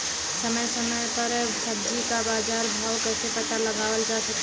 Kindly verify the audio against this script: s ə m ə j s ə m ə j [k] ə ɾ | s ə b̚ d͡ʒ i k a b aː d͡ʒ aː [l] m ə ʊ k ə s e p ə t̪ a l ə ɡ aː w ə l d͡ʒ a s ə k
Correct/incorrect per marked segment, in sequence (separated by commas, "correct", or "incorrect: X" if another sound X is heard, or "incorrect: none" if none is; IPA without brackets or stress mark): incorrect: p, incorrect: ɾ